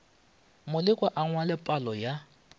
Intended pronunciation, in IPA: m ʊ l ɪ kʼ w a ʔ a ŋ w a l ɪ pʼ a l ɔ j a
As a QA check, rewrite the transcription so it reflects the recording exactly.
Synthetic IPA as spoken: m ʊ l ɪ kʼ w a ʔ a ŋ w a l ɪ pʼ a l ɔ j a